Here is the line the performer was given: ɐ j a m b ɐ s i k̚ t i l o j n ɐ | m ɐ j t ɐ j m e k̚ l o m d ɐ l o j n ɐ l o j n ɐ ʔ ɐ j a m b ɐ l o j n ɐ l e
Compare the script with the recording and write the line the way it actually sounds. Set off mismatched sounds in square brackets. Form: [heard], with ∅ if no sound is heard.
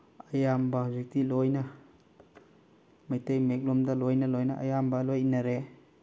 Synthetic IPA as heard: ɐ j a m b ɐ [z] i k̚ t i l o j n ɐ | m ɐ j t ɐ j m e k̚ l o m d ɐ l o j n ɐ l o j n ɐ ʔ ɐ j a m b ɐ l o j n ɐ [ɾ] e